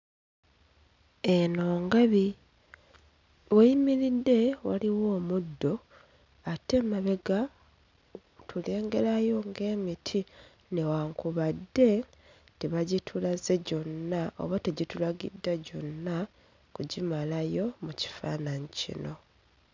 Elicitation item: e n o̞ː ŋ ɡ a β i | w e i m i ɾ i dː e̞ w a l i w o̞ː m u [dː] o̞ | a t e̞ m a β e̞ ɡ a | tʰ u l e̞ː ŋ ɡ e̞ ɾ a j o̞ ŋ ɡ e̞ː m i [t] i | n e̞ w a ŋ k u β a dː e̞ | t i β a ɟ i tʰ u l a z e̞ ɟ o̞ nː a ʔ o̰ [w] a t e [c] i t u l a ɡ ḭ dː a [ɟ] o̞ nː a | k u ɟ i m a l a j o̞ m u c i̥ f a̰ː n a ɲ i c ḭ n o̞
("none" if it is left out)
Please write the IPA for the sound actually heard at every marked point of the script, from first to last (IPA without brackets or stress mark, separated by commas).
dː, tʰ, β, ɟ, ɟ